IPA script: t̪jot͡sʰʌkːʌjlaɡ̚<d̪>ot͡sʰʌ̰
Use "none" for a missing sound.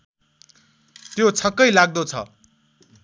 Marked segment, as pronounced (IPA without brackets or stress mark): d̪